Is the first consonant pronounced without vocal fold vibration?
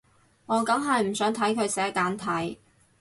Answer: no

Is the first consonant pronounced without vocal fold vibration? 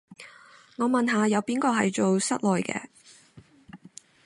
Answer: no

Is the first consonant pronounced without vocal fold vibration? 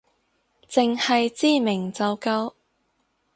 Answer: yes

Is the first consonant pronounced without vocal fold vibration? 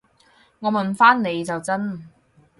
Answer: no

